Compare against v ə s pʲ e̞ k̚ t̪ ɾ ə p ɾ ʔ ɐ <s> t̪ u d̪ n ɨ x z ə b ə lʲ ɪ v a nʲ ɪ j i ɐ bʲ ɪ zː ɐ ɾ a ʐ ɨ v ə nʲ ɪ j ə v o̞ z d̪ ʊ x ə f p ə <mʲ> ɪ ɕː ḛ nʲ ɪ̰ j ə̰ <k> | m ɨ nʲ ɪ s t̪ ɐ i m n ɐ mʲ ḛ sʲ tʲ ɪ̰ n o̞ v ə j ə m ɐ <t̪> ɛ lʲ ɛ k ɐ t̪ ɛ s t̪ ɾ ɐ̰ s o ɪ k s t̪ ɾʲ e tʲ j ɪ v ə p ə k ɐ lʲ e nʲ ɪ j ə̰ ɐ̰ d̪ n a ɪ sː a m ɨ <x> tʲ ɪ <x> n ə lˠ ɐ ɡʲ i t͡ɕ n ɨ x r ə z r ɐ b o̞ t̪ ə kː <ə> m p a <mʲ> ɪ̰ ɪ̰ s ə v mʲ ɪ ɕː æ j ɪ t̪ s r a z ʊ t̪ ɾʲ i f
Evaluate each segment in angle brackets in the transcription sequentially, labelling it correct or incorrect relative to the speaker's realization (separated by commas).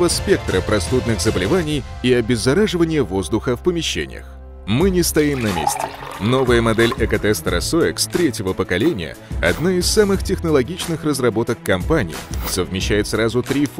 correct, correct, incorrect, incorrect, correct, correct, incorrect, incorrect